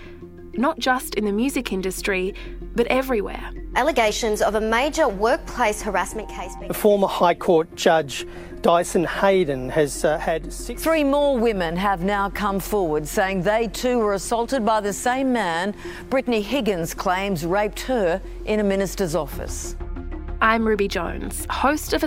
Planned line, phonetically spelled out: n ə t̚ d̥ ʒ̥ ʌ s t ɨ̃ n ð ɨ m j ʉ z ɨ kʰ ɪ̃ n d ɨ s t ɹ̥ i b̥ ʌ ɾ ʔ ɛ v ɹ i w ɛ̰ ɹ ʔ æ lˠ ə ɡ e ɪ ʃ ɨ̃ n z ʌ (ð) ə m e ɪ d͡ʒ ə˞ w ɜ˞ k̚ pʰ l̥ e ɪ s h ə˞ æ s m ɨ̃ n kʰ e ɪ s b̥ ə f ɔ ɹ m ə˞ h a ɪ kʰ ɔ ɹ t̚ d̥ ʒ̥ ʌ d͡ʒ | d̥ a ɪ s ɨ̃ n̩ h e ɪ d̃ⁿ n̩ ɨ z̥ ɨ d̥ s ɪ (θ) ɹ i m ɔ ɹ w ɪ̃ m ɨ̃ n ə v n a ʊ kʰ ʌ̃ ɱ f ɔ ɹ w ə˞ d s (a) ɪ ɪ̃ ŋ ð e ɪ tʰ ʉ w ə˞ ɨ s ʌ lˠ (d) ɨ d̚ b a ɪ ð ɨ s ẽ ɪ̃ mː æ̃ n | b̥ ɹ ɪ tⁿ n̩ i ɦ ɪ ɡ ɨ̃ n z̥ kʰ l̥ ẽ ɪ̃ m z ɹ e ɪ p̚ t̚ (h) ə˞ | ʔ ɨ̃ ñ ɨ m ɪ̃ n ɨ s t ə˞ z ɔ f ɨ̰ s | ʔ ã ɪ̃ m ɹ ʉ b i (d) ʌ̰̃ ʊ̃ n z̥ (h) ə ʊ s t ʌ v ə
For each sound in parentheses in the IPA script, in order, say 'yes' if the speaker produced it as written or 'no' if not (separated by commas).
no, yes, no, no, yes, no, yes